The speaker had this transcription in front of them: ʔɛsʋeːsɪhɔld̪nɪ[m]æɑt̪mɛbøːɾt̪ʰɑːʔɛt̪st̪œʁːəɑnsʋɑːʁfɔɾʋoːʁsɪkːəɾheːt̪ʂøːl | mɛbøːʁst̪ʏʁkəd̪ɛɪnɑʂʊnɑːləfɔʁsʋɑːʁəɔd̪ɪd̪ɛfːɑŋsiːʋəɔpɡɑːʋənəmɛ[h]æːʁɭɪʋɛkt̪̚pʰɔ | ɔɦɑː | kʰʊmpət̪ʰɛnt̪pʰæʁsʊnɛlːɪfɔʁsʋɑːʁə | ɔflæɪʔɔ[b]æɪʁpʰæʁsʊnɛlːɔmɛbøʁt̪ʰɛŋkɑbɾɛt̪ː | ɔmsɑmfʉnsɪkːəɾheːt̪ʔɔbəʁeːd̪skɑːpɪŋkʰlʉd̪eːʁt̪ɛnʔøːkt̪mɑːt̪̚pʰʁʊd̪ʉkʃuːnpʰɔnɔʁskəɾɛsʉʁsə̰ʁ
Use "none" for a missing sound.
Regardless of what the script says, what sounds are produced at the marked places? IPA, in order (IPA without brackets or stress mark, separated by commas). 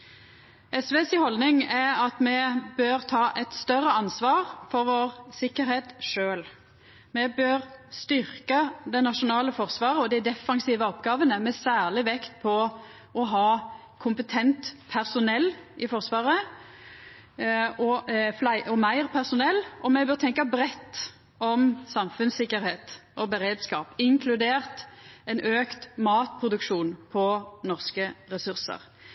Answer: ŋ, s, m